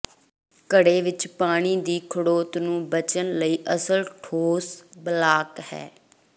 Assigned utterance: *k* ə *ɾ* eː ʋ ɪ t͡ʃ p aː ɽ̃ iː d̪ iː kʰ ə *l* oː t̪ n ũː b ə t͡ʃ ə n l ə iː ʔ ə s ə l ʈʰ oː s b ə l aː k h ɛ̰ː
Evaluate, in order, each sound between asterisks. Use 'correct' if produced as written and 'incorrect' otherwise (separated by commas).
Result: correct, incorrect, incorrect